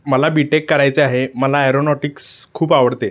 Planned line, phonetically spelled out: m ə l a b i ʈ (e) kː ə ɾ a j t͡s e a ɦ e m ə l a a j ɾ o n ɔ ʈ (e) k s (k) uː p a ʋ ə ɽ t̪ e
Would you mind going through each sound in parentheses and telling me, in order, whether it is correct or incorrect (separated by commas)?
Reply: correct, incorrect, incorrect